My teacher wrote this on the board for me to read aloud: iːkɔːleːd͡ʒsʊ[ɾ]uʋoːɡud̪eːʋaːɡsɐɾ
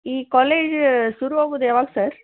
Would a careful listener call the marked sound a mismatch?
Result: no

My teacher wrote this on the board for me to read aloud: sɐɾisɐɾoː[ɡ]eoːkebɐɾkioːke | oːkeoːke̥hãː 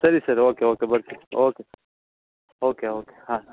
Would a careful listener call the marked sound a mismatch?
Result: yes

